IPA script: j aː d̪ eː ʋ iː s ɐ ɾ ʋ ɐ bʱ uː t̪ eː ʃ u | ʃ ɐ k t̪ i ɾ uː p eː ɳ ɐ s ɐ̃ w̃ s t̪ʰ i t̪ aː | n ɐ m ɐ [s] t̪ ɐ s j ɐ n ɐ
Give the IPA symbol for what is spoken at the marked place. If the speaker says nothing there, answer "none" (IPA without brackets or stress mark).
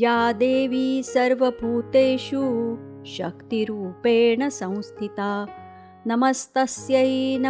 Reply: s